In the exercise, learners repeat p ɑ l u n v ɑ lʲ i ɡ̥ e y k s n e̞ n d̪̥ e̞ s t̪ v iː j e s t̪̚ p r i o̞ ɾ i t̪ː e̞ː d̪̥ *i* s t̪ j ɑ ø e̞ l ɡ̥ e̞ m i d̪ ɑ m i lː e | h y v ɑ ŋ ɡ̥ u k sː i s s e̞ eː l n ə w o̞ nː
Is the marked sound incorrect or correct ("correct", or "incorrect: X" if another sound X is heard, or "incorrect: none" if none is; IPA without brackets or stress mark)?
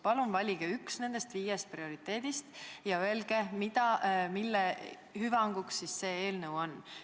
correct